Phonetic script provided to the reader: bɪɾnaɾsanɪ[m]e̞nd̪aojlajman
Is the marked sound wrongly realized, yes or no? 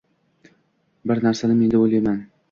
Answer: no